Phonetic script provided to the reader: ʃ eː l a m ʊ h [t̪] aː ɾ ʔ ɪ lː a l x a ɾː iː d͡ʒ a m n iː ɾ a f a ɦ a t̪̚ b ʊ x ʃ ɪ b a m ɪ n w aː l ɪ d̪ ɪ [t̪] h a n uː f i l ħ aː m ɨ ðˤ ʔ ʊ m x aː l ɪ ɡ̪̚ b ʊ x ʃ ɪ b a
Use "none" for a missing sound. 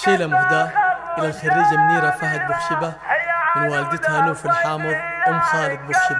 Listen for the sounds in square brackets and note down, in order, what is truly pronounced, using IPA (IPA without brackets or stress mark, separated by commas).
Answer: d̪, t̪